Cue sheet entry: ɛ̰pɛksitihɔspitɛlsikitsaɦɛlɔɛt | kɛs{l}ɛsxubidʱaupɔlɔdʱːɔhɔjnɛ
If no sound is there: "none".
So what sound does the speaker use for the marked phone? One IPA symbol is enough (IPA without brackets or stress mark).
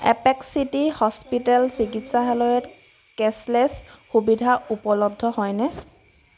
l